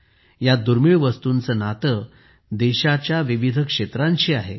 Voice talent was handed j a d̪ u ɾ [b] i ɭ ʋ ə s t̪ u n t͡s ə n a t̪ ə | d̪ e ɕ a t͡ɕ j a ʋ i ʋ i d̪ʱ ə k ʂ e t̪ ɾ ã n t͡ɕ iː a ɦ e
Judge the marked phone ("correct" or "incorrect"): incorrect